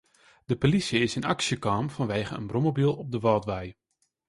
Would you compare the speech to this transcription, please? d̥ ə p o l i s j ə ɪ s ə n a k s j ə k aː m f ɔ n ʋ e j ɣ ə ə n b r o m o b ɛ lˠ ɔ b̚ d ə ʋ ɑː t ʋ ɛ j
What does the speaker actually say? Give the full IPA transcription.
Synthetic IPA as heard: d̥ ə p o l i s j ə ɪ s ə n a k s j ə k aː m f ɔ n ʋ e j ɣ ə ə n b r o m o b i lˠ ɔ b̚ d ə ʋ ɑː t ʋ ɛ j